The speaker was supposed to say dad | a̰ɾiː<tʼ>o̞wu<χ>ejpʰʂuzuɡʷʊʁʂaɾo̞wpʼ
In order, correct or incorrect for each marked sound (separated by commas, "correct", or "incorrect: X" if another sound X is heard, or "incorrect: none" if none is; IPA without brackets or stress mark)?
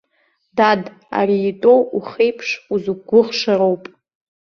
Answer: correct, correct